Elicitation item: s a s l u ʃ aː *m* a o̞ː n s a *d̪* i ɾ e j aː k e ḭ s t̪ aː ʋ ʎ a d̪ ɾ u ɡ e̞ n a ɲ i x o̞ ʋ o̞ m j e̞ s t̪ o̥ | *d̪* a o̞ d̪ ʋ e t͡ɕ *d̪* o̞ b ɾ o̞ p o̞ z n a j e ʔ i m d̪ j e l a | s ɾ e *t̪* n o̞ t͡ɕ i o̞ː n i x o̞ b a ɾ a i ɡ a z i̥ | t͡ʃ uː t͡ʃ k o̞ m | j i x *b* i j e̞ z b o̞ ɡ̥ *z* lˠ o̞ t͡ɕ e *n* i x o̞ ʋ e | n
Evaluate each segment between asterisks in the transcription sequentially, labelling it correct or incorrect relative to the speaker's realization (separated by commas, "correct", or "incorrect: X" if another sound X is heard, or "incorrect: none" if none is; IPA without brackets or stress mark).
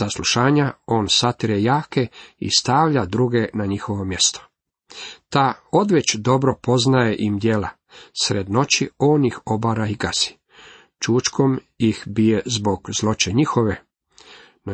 incorrect: ɲ, incorrect: t̪, incorrect: t̪, correct, incorrect: d̪, correct, correct, incorrect: ɲ